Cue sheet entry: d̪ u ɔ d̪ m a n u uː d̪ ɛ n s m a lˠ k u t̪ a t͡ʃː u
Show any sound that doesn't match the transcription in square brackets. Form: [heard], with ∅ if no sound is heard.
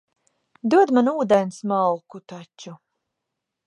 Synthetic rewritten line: d̪ u ɔ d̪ m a n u uː d̪ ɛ n s m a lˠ k u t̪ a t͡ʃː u